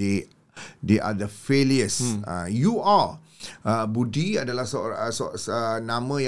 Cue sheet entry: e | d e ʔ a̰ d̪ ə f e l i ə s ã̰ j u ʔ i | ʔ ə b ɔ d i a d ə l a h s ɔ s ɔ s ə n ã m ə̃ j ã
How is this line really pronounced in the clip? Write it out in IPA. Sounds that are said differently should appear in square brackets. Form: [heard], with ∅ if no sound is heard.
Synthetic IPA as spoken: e | d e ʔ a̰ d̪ ə f e l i ə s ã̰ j u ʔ [a] | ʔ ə b [u] d i a d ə l a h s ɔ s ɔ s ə n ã m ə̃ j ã